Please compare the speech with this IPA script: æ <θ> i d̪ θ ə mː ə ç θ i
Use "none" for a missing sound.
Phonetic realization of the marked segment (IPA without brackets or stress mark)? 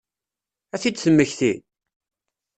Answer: θ